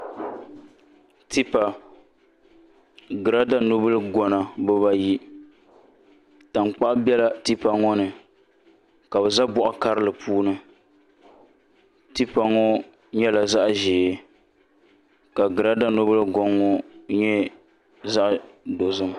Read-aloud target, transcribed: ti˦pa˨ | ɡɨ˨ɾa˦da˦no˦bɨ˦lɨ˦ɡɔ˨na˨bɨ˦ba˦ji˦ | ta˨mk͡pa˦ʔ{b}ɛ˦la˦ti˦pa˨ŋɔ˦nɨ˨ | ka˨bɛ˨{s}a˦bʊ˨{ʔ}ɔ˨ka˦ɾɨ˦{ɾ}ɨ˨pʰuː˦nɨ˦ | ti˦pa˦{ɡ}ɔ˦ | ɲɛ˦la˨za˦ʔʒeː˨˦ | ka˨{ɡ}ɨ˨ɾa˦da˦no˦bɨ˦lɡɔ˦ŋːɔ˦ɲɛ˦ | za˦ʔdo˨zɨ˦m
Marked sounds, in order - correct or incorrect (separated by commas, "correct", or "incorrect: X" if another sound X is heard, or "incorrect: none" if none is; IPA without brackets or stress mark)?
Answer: correct, incorrect: z, correct, incorrect: l, incorrect: ŋ, correct